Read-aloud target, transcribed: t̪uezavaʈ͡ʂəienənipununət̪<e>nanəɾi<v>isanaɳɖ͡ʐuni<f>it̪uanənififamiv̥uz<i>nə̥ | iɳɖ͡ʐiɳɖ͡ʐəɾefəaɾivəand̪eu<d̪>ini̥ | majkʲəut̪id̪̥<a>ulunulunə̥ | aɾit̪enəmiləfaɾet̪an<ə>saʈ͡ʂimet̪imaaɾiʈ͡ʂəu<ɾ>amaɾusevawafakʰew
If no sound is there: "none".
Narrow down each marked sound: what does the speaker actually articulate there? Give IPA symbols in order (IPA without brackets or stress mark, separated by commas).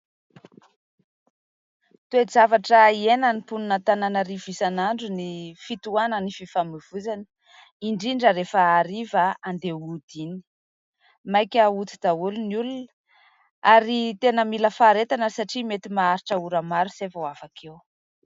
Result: a, v, f, a, d̪, a, ə, ɾ